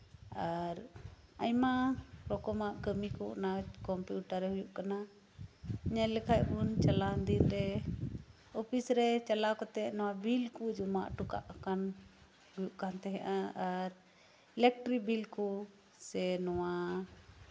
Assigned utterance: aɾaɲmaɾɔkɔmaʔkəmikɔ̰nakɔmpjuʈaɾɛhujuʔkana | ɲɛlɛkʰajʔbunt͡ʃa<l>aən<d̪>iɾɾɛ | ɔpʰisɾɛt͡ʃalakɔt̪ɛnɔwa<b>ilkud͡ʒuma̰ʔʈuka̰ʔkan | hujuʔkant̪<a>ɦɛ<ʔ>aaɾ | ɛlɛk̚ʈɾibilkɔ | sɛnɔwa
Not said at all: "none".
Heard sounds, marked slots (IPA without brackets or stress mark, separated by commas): l, d̪, b, ɛ, ʔ